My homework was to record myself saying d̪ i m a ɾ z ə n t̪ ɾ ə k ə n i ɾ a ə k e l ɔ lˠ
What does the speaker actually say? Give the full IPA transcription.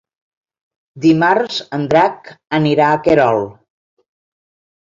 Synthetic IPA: d̪ i m a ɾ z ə n d̪ ɾ a k ə n i ɾ a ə k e ɾ ɔ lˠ